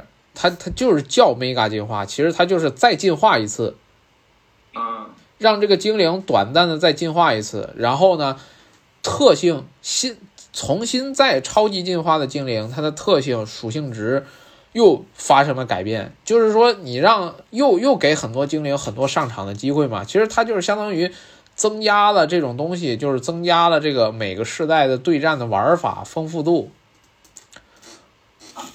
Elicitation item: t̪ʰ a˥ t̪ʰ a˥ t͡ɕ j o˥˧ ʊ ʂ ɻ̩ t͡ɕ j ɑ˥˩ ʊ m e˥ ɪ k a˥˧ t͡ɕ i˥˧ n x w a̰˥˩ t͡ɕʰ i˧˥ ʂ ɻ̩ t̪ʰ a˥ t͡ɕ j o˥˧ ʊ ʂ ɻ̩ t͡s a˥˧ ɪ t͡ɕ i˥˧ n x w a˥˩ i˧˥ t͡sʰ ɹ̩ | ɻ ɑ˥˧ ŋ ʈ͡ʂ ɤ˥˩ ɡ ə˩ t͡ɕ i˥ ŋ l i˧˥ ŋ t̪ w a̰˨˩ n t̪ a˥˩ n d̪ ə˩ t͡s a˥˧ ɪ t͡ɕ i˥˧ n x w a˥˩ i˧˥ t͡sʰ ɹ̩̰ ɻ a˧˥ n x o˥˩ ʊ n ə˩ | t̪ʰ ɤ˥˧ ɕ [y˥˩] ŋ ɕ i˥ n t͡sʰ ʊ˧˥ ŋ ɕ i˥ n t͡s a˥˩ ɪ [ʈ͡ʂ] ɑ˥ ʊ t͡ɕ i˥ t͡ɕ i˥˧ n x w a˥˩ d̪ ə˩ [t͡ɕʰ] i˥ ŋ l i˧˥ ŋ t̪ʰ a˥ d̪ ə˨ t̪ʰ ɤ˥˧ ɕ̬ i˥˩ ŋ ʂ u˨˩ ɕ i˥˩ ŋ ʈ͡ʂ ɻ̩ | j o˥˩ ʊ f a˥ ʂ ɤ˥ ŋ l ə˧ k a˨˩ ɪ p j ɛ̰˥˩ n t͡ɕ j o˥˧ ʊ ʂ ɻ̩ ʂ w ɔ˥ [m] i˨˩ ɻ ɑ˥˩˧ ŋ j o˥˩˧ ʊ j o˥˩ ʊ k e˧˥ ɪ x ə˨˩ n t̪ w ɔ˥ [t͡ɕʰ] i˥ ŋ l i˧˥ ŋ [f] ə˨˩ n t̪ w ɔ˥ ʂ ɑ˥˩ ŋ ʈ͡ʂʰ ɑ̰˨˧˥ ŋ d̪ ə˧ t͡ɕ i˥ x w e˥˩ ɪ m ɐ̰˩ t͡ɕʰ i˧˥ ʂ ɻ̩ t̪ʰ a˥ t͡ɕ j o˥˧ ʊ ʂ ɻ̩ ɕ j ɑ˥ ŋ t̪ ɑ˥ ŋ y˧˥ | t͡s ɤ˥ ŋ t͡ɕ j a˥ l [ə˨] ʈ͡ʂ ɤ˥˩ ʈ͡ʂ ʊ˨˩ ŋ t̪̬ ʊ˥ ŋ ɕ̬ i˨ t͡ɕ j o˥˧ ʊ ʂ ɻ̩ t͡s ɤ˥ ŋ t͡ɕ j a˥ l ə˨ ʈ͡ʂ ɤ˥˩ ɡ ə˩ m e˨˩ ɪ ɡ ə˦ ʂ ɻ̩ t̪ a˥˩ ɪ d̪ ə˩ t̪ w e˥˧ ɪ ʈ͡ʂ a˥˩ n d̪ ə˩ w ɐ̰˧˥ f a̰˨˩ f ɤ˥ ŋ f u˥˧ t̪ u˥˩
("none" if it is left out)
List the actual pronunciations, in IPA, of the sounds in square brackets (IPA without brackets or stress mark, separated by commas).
i˥˩, ʈ͡ʂʰ, t͡ɕ, n, t͡ɕ, x, ə˨